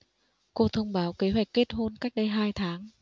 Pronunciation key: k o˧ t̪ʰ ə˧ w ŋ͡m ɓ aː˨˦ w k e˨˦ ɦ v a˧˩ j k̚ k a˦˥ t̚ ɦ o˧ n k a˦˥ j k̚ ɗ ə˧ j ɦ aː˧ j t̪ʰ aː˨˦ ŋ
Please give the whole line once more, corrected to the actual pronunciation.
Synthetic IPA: k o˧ t̪ʰ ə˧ w ŋ͡m ɓ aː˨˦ w k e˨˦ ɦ w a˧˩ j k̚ k e˦˥ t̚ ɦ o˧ n k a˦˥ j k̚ ɗ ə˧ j ɦ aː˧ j t̪ʰ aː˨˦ ŋ